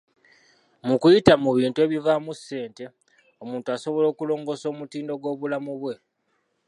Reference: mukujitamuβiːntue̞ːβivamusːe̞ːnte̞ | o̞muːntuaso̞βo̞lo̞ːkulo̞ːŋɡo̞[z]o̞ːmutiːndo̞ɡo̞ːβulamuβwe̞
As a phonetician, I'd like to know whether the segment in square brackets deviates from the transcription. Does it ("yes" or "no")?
yes